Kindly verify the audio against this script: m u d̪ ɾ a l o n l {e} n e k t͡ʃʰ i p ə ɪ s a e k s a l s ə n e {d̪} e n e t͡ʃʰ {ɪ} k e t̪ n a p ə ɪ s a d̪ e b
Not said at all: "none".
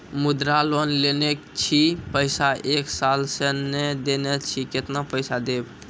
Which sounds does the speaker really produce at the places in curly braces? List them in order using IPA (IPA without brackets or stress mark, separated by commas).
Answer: e, d̪, i